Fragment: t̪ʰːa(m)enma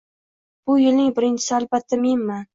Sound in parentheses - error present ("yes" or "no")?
no